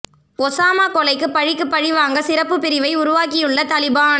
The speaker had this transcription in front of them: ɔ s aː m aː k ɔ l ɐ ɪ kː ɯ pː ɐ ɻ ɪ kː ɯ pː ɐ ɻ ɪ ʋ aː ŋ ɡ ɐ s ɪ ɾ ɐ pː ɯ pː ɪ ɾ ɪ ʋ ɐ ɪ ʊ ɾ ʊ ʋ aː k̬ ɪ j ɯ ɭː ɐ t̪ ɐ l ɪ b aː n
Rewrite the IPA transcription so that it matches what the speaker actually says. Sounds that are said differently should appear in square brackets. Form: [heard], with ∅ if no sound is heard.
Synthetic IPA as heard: ɔ s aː m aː k ɔ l ɐ ɪ kː ɯ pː ɐ ɻ ɪ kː ɯ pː ɐ ɻ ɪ ʋ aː ŋ ɡ ɐ s ɪ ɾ ɐ pː ɯ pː ɪ ɾ ɪ ʋ ɐ ɪ ʊ ɾ ʊ ʋ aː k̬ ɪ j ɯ ɭː ɐ t̪ ɐ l ɪ b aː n